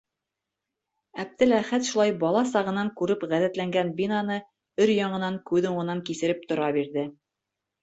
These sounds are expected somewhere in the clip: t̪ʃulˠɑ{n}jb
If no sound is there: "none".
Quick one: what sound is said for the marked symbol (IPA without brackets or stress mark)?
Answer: none